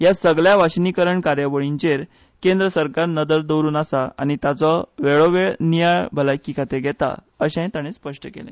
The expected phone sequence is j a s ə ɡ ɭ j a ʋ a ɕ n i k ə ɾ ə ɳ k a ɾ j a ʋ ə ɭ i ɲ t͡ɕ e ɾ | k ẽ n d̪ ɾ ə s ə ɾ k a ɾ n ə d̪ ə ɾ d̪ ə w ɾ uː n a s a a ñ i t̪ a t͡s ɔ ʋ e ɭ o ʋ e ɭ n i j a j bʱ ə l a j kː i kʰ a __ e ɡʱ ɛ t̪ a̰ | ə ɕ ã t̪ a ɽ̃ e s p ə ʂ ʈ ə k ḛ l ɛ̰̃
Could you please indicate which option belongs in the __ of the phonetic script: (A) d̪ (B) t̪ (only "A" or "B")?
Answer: B